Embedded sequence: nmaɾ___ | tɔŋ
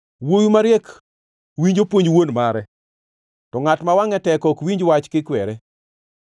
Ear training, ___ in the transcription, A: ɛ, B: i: A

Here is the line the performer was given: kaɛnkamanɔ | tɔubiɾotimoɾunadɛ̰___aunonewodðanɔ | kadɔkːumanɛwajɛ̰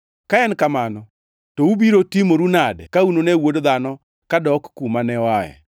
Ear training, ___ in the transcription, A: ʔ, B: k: B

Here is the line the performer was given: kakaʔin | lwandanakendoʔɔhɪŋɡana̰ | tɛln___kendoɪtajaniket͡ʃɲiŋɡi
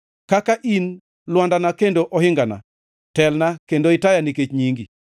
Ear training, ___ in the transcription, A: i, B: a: B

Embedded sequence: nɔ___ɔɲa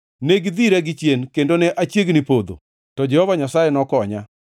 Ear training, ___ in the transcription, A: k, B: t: A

